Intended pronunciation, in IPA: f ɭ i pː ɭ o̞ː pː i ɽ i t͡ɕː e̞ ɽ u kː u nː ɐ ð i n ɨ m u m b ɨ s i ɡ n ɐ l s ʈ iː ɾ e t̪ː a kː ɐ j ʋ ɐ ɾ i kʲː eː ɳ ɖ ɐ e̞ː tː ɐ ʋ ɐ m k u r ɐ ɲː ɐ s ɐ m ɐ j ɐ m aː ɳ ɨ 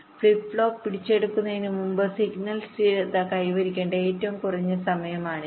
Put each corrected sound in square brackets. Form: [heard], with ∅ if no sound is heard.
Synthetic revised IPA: f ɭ i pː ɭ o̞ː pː i ɽ i t͡ɕː e̞ ɽ u kː u nː ɐ ð i n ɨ m u m b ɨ s i ɡ n ɐ l s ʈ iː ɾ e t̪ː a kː ɐ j ʋ ɐ ɾ i kʲː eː ɳ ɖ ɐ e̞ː tː ɐ ʋ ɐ m k u r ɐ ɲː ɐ s ɐ m ɐ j ɐ m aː ɳ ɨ